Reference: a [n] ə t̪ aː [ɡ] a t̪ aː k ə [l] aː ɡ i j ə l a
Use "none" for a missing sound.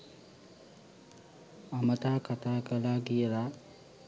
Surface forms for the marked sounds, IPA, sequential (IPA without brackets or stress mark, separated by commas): m, k, l